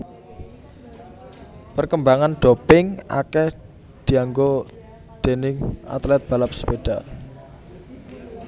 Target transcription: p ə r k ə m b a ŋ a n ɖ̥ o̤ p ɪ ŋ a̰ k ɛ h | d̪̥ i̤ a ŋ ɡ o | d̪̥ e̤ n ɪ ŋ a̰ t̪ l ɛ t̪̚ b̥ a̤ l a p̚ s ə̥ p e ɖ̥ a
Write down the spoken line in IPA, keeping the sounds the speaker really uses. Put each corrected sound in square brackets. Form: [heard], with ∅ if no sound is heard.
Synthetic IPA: p ə r k ə m b a ŋ a n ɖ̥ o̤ p ɪ ŋ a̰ k ɛ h | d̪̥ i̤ a ŋ ɡ o | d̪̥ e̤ n ɪ ŋ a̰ t̪ l ɛ t̪̚ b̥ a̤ l a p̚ s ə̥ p e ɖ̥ a

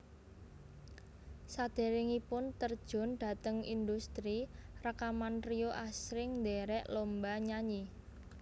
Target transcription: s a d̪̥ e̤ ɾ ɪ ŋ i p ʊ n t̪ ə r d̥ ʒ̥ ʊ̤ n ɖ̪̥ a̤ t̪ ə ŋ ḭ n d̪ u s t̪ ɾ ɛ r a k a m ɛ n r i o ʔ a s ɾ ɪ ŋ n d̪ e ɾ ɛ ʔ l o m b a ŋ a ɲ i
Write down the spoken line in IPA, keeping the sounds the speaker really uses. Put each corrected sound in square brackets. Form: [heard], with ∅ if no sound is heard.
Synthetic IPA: s a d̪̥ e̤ ɾ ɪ ŋ i p ʊ n t̪ ə r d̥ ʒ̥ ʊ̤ n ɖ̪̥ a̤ t̪ ə ŋ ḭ n d̪ u s t̪ ɾ [i] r a k a m [a] n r i o ʔ a s ɾ ɪ ŋ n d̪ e ɾ ɛ ʔ l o m b a [ɲ] a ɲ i

